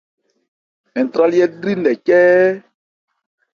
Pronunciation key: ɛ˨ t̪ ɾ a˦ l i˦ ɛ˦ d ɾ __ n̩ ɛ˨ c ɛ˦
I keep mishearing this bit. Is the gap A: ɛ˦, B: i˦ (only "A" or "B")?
B